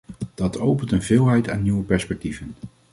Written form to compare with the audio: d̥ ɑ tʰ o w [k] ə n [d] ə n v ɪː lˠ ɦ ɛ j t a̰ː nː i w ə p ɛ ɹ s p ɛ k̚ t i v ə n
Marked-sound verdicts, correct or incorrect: incorrect: p, incorrect: t

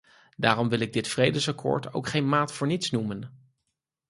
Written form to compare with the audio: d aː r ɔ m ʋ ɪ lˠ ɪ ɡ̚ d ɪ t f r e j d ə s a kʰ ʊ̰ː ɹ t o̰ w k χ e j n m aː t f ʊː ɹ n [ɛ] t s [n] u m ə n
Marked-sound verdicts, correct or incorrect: incorrect: i, correct

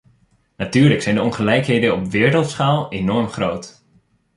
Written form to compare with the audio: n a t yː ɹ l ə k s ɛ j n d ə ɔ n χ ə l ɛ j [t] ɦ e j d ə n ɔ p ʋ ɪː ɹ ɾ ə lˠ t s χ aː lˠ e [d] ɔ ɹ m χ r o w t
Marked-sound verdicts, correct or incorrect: incorrect: k, incorrect: n

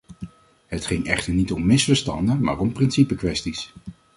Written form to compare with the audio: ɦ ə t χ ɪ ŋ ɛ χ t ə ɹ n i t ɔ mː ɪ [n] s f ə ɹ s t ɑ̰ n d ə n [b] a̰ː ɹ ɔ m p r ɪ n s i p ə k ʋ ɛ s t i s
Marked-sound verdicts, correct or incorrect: incorrect: none, incorrect: m

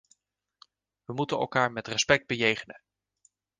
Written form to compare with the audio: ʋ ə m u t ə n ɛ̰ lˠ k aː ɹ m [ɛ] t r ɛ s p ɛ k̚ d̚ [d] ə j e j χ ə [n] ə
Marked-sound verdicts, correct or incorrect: correct, incorrect: b, correct

